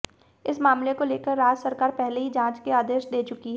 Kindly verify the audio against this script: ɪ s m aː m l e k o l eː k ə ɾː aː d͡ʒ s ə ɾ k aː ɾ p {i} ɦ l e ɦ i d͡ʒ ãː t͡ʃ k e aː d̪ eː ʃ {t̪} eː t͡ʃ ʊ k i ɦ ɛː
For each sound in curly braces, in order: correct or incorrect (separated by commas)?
incorrect, incorrect